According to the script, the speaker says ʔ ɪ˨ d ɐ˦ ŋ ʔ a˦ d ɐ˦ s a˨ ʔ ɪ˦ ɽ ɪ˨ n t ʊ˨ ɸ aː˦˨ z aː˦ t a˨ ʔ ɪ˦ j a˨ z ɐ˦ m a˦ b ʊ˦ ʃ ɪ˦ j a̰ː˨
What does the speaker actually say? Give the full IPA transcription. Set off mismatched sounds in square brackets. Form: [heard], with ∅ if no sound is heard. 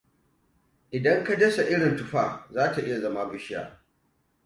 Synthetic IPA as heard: ʔ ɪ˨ d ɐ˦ ŋ [k] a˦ d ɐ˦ s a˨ ʔ ɪ˦ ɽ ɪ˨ n t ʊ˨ ɸ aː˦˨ z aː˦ t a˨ ʔ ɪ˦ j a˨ z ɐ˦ m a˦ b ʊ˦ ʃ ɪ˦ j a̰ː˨

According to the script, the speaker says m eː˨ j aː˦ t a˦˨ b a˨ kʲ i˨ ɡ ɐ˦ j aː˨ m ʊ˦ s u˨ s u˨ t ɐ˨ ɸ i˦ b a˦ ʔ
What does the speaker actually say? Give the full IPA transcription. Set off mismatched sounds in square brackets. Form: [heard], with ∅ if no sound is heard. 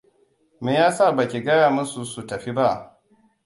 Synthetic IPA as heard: m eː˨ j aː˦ [s] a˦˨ b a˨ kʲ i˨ ɡ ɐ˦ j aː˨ m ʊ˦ s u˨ s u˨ t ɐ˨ ɸ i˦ b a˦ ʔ

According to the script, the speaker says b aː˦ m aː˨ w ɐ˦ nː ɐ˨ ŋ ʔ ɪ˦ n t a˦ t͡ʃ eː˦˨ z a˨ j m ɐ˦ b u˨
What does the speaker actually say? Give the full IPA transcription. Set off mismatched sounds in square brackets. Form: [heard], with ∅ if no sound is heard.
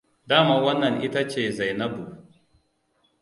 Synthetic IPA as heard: [d] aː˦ m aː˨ w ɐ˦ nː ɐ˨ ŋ ʔ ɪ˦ [∅] t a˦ t͡ʃ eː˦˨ z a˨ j [n] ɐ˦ b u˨

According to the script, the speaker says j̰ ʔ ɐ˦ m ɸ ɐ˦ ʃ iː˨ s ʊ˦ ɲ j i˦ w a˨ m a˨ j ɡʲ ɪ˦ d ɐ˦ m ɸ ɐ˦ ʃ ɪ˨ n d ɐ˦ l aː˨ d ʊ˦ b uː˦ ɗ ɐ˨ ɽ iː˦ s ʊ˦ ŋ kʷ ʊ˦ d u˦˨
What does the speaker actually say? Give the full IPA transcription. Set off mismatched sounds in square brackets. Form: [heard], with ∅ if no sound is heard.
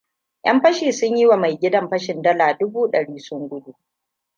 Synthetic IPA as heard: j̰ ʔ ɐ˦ m ɸ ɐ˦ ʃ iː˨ s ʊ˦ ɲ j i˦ w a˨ m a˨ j ɡʲ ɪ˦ d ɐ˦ m ɸ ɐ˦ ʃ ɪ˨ n d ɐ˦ l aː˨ d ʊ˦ b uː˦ ɗ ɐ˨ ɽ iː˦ s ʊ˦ ŋ [ɡʷ] ʊ˦ d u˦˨

